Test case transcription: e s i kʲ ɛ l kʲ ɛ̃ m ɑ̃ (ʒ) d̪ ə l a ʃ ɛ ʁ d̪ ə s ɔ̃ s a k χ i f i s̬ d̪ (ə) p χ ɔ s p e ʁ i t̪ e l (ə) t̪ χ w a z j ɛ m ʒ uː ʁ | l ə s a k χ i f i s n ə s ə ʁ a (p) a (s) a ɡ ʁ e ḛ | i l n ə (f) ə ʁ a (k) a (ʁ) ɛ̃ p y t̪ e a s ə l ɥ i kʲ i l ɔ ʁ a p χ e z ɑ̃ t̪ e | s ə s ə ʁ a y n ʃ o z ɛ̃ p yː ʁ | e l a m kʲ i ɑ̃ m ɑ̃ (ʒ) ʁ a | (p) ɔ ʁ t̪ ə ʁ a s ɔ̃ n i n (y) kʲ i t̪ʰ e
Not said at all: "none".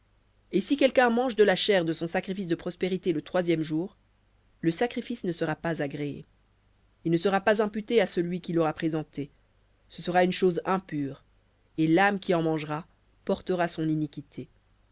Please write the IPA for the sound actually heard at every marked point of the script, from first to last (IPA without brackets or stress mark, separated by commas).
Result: ʒ, ə, ə, p, z, s, p, z, ʒ, p, i